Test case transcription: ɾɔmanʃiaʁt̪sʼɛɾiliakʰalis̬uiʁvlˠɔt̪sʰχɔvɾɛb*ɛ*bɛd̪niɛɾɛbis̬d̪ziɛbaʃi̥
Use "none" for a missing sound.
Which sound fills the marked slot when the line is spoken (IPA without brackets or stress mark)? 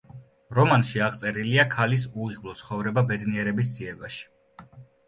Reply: a